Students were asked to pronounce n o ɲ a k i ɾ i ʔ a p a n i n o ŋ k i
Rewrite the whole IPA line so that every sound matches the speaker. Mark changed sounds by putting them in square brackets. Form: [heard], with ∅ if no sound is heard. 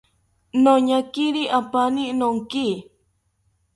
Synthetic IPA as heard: n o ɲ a k i ɾ i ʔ a p a n i n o ŋ k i